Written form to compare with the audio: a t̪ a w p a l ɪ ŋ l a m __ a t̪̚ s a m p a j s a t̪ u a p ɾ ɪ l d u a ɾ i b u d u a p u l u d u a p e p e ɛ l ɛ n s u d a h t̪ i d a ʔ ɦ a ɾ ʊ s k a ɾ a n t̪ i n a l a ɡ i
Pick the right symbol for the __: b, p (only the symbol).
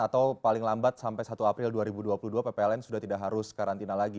b